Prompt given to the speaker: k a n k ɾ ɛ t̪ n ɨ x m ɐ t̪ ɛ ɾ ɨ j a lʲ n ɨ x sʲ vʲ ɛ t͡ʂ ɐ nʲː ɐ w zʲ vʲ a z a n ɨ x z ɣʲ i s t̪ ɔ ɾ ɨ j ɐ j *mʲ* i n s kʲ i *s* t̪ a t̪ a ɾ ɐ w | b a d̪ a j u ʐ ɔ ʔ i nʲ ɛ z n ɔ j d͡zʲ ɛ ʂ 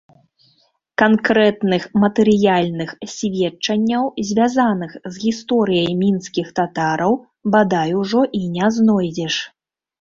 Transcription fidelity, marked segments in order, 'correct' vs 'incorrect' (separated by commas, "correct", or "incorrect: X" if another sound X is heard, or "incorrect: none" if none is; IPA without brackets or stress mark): correct, incorrect: x